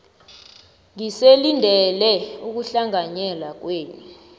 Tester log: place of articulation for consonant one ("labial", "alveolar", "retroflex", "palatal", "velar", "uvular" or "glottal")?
velar